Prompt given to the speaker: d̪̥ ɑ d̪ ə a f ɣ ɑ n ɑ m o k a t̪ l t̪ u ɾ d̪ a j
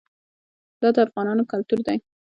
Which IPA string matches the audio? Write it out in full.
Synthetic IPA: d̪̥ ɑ d̪ ə a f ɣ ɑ n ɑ n o k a l t̪ u ɾ d̪ a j